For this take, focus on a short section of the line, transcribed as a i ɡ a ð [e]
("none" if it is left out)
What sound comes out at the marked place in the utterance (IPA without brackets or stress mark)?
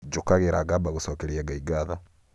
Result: a